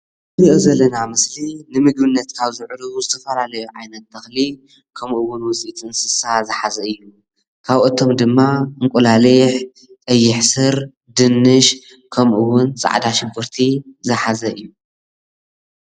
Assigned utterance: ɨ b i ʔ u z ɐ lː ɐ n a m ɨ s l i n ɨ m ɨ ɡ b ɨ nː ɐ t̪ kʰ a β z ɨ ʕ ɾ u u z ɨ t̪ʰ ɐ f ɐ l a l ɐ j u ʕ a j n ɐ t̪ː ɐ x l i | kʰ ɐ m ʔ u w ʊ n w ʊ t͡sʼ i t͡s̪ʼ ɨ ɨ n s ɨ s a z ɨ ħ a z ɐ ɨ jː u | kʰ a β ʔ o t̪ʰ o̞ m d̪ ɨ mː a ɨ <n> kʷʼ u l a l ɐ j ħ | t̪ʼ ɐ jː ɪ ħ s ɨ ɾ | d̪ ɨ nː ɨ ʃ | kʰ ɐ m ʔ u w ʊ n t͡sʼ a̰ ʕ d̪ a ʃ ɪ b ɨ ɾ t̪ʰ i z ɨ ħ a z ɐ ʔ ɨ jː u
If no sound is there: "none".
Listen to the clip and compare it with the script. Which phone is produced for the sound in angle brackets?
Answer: ŋ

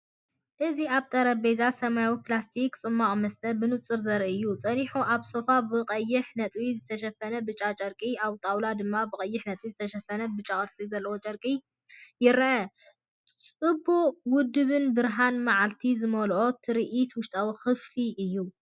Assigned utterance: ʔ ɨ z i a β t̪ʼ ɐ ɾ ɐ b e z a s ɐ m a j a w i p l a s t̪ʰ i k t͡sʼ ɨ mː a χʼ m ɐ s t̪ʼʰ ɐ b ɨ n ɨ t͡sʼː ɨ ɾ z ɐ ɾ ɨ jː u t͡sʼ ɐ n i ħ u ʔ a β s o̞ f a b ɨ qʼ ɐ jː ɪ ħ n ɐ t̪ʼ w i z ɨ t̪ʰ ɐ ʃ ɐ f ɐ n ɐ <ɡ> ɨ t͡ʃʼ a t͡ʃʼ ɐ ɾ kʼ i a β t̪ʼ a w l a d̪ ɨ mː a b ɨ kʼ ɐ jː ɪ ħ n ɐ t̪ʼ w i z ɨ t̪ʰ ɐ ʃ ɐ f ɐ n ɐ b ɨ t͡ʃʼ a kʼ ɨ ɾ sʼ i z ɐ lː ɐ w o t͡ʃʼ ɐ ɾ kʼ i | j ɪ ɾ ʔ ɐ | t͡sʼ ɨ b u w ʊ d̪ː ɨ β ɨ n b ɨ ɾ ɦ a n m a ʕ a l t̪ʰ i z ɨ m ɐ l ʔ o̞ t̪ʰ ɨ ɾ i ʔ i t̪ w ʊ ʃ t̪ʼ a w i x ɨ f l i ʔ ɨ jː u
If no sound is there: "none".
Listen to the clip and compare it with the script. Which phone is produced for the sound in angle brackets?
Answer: b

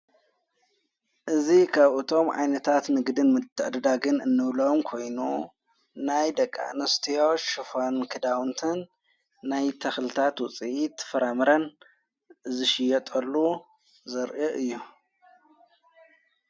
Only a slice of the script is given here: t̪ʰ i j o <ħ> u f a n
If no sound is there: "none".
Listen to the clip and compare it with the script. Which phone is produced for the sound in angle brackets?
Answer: ʃ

